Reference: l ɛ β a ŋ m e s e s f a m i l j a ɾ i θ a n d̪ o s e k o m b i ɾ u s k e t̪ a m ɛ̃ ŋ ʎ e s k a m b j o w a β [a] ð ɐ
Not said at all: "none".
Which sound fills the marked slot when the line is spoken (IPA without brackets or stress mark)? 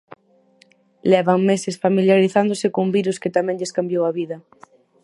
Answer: i